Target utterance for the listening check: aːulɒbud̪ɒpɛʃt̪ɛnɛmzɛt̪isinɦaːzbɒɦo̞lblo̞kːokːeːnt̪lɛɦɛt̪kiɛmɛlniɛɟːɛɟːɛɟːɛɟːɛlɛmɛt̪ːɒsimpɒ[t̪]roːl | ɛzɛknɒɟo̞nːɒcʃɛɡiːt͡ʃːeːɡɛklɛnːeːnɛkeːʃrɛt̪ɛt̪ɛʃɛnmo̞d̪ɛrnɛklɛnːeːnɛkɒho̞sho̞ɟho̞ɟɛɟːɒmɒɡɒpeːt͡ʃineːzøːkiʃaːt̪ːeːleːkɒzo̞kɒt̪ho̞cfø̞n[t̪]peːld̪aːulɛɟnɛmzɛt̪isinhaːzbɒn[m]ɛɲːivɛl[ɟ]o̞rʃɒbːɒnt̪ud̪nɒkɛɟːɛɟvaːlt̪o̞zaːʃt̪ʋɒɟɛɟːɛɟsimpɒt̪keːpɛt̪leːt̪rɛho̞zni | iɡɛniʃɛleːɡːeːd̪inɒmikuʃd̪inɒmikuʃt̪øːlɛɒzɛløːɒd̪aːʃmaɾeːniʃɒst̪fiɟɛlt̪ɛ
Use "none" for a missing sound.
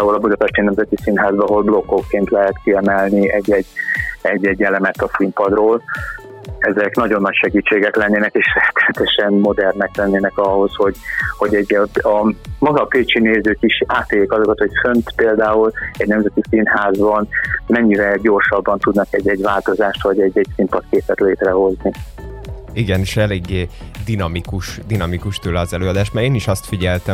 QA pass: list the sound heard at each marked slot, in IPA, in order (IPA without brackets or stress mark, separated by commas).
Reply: d̪, t̪, m, ɟ